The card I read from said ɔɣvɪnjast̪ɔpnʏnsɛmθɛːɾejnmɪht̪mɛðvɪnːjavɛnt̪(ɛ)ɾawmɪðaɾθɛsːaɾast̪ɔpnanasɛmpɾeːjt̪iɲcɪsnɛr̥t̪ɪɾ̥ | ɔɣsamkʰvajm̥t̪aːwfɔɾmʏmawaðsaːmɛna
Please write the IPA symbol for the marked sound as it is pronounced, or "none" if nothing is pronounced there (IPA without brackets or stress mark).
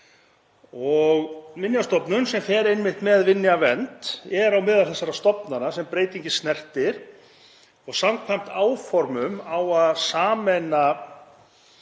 ɛ